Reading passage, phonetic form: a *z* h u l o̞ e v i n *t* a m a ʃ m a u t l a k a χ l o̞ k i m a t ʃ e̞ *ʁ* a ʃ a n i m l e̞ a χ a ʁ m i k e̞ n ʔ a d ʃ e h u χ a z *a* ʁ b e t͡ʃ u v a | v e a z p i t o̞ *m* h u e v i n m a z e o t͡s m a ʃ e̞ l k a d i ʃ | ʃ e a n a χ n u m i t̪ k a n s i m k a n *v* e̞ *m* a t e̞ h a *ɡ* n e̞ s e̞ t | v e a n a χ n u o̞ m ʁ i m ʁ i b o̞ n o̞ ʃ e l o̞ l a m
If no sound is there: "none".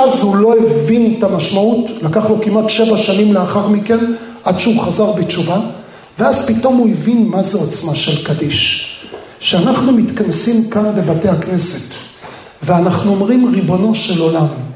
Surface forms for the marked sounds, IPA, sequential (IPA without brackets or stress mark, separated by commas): z, t, v, a, m, b, b, k